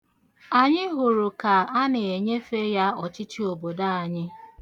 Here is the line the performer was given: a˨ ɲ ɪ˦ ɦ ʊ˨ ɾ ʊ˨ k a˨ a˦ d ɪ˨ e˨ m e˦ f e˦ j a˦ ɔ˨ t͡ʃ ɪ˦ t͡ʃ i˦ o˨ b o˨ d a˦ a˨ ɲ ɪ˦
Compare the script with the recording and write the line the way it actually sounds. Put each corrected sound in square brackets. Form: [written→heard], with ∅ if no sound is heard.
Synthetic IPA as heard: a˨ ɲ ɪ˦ ɦ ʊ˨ ɾ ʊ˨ k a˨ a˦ [d→n] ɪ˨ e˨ [m→ɲ] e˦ f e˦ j a˦ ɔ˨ t͡ʃ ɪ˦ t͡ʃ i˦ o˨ b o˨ d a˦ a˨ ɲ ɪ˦